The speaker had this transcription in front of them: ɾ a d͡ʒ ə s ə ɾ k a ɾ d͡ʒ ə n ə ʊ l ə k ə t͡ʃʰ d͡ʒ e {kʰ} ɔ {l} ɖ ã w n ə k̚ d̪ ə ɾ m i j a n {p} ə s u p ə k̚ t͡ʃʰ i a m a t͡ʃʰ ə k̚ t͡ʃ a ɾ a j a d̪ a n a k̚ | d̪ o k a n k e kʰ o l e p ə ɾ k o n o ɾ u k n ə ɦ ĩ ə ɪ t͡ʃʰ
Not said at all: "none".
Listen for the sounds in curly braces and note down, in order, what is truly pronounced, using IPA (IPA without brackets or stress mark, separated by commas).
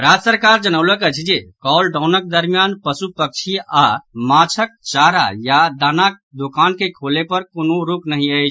k, l, p